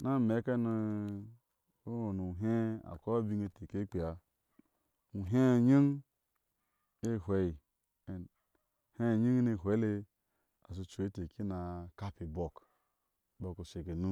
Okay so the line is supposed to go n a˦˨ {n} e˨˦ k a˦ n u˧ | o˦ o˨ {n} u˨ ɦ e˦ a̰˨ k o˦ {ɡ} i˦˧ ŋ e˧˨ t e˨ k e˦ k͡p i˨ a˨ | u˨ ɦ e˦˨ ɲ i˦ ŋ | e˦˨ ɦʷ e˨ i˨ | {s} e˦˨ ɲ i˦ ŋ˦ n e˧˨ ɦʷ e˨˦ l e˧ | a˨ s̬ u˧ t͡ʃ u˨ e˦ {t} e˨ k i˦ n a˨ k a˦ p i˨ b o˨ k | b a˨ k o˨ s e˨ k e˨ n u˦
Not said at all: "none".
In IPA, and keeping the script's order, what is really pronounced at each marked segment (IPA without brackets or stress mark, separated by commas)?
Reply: m, n, b, h, t